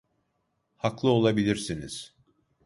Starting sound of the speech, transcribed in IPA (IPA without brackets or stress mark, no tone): h